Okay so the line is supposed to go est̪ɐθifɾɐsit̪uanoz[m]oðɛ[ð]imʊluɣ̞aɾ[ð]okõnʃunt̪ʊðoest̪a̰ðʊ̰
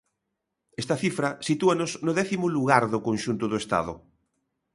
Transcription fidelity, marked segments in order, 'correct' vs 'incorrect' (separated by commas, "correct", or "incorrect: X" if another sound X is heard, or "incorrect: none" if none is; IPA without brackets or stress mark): incorrect: n, incorrect: θ, correct